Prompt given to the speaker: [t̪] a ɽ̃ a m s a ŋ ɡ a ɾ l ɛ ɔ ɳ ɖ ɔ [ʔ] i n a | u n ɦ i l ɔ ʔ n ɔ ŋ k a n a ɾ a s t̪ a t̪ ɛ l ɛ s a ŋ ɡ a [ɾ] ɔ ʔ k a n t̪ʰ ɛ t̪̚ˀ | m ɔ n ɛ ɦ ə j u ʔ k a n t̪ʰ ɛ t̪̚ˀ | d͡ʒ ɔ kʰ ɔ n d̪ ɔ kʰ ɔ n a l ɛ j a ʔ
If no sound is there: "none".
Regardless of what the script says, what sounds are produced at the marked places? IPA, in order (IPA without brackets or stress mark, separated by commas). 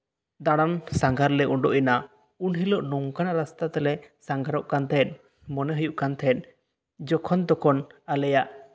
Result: d̪, ʔ, ɾ